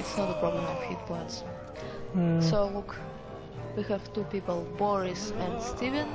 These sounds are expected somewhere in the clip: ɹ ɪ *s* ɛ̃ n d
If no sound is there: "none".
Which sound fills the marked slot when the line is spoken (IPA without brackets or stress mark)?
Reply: s